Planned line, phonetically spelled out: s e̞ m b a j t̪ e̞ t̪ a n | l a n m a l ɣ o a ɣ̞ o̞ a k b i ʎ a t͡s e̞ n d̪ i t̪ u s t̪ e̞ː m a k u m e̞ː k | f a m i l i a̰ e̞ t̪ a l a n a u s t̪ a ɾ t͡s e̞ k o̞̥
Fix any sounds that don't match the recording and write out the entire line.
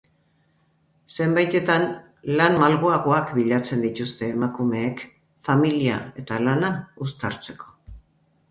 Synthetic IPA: s e̞ m b a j t̪ e̞ t̪ a n | l a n m a l ɣ o a ɣ̞ o̞ a k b i ʎ a t͡s e̞ n d̪ i t̪ u s t̪ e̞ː m a k u m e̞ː k | f a m i l i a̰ e̞ t̪ a l a n a u s t̪ a ɾ t͡s e̞ k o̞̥